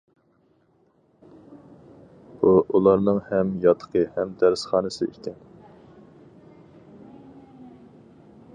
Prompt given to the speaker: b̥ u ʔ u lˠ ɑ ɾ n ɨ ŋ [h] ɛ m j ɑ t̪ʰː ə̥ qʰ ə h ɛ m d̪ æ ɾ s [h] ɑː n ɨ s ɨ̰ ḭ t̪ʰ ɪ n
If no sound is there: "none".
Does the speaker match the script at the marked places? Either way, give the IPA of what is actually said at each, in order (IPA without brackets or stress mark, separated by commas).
h, χ